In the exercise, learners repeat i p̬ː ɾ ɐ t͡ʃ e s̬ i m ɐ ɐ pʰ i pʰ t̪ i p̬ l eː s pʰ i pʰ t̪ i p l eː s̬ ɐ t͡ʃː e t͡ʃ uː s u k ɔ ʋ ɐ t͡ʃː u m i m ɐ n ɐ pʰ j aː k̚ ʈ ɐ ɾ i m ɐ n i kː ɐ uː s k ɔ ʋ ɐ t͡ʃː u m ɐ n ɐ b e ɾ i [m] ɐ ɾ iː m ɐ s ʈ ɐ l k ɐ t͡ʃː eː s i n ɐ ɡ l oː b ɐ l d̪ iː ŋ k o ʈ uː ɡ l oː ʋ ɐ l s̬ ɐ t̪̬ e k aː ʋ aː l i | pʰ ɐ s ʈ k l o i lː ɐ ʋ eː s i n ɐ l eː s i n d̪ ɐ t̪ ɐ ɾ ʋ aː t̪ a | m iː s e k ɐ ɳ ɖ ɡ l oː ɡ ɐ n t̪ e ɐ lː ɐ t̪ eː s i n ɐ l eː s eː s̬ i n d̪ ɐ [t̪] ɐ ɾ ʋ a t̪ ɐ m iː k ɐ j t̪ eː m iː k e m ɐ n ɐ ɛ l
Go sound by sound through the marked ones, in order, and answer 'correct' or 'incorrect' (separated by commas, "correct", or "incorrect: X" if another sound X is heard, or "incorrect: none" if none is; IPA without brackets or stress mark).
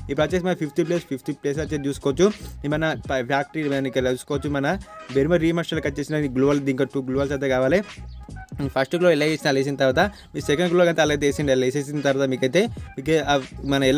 correct, correct